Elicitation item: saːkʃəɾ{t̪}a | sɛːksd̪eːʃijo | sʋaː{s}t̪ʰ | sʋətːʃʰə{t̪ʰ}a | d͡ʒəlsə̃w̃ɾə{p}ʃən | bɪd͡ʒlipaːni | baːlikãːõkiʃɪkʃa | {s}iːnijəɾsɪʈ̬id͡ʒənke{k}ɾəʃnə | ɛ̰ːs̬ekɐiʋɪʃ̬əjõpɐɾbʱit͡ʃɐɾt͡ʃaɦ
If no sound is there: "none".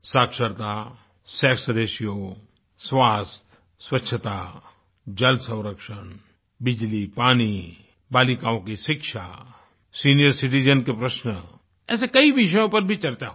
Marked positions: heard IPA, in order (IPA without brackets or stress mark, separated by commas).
t̪, s, t̪, k, s, p